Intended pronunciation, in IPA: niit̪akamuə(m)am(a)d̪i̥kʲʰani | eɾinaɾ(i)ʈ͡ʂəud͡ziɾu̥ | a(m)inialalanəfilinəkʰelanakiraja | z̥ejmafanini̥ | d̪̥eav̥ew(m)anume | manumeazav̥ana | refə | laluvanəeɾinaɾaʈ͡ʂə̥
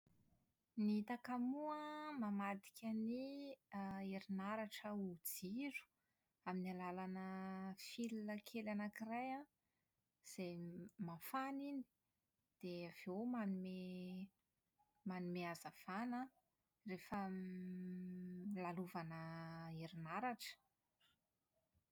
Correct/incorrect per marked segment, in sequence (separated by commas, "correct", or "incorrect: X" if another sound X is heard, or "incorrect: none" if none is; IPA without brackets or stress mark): correct, correct, incorrect: a, correct, correct